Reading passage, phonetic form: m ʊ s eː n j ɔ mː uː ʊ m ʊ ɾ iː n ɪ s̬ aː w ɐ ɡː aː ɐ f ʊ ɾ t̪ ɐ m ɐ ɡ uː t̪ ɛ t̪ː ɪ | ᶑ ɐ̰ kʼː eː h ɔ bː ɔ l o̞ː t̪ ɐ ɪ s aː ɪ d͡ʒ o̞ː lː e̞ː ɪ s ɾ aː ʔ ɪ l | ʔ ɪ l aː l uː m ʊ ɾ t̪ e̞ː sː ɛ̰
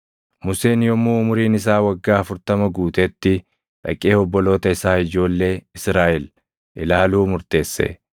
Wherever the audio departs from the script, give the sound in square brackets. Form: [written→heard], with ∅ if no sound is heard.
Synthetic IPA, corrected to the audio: m ʊ s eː n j ɔ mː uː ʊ m ʊ ɾ iː n ɪ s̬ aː w ɐ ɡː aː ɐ f ʊ ɾ t̪ ɐ m ɐ ɡ uː t̪ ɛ t̪ː ɪ | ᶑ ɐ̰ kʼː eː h ɔ bː ɔ l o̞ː t̪ ɐ ɪ s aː ɪ d͡ʒ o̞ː lː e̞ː ɪ s ɾ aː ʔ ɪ l | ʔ ɪ l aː l uː m ʊ ɾ t̪ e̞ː sː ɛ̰